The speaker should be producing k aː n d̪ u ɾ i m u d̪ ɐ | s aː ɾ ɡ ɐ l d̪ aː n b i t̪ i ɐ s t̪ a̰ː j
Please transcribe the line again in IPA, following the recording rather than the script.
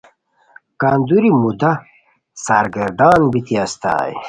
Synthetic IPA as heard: k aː n d̪ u ɾ i m u d̪ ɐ | s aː ɾ ɡ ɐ ɾ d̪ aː n b i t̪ i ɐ s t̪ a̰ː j